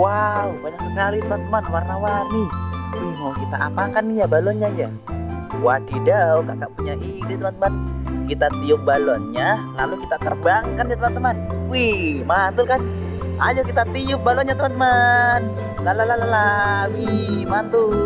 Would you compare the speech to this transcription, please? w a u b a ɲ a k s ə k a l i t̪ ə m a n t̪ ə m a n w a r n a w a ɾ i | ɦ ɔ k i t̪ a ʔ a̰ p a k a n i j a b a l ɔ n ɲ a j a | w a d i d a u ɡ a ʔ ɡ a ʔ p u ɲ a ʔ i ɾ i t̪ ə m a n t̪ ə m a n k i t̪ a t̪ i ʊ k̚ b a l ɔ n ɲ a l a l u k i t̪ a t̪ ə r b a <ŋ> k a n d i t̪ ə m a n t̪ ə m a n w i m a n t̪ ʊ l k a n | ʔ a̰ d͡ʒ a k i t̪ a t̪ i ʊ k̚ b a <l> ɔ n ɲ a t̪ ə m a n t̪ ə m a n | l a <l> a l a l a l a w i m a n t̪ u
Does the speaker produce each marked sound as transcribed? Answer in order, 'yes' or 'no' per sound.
yes, yes, yes

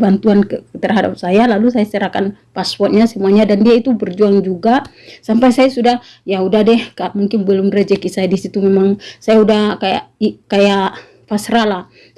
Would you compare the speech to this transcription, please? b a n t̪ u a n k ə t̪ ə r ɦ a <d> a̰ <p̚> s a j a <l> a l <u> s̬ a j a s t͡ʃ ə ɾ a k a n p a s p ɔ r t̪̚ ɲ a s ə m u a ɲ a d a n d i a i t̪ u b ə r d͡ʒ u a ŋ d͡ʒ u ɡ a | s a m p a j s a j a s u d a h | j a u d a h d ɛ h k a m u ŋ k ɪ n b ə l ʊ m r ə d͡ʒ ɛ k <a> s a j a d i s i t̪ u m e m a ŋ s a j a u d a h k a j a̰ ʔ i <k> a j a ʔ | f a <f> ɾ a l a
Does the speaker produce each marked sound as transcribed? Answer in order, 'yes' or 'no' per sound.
yes, yes, yes, yes, no, yes, no

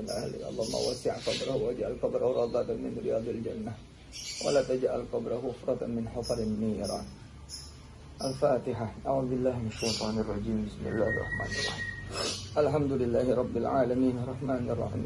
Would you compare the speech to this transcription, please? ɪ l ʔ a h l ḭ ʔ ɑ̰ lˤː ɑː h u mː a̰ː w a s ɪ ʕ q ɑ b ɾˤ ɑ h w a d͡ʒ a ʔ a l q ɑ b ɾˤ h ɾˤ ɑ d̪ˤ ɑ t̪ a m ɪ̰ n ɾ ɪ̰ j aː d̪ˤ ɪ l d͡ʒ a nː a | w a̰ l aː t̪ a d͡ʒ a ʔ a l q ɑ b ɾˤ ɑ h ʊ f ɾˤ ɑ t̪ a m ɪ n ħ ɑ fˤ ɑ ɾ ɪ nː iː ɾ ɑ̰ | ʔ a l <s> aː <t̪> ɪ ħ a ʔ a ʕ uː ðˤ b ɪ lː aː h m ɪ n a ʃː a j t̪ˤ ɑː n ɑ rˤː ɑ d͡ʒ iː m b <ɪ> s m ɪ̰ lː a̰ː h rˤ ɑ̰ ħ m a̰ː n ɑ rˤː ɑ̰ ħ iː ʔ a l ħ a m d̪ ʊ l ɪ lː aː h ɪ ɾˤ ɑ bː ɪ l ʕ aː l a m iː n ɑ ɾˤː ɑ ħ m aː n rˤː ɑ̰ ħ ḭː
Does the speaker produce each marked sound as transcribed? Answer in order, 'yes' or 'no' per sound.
no, yes, yes

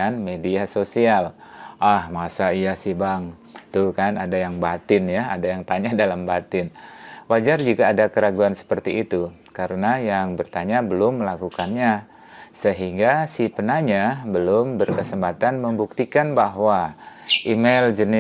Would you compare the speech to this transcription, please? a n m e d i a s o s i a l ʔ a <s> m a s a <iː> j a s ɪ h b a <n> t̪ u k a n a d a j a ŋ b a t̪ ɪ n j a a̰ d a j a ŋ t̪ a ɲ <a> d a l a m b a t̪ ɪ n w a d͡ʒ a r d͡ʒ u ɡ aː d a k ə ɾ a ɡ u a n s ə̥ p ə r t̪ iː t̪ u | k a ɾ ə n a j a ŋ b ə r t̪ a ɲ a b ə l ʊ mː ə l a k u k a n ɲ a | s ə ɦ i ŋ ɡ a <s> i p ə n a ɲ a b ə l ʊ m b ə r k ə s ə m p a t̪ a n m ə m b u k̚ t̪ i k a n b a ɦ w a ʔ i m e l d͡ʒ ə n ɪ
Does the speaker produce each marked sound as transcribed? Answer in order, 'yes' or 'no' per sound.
no, no, no, yes, yes

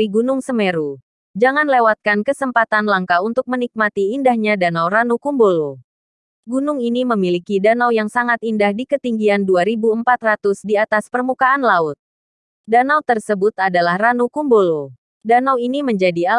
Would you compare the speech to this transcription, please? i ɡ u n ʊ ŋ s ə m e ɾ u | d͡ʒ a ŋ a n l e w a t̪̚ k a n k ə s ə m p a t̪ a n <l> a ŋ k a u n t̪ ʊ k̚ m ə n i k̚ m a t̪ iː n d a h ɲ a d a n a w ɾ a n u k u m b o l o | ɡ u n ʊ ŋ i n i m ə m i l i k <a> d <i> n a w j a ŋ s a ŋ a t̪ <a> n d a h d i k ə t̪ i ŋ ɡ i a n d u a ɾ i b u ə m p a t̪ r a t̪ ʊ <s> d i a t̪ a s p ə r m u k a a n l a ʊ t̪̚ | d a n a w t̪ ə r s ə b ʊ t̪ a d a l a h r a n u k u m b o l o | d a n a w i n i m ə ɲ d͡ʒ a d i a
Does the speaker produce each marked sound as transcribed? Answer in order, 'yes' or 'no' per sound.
yes, no, no, no, yes

